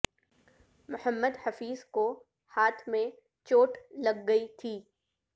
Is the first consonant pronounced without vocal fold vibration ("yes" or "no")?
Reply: no